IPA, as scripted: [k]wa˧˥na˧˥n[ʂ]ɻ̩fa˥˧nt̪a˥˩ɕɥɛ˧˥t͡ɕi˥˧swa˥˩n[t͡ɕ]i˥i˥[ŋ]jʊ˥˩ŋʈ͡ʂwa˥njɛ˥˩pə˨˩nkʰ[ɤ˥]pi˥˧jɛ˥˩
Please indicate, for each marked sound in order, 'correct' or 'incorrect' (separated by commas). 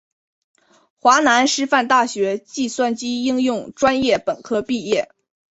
incorrect, correct, correct, correct, correct